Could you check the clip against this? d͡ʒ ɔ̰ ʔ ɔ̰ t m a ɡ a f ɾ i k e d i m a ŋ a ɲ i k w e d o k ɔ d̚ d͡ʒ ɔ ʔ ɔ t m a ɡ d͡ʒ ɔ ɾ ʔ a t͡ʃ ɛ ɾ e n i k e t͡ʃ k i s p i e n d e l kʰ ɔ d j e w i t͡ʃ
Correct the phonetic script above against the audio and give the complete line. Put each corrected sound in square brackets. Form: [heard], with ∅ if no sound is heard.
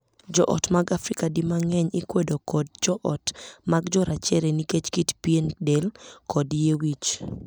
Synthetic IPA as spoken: d͡ʒ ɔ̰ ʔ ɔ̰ t m a ɡ a f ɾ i k [a] d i m a ŋ [ɛ] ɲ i k w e d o k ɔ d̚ d͡ʒ ɔ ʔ ɔ t m a ɡ d͡ʒ ɔ ɾ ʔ a t͡ʃ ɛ ɾ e n i k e t͡ʃ k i [t] p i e n d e l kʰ ɔ d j e w i t͡ʃ